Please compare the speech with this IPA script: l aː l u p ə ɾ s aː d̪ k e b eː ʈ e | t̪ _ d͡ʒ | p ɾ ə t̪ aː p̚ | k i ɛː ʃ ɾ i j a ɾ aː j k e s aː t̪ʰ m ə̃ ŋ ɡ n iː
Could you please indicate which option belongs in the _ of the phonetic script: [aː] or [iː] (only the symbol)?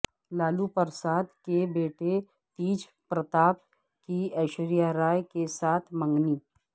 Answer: iː